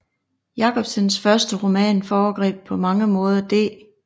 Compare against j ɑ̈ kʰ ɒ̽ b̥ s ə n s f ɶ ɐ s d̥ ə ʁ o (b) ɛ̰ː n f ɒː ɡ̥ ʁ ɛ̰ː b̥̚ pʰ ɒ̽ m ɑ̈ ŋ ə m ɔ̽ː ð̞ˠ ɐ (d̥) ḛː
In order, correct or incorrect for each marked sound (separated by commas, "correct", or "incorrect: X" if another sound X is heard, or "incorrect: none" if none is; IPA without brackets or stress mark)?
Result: incorrect: m, correct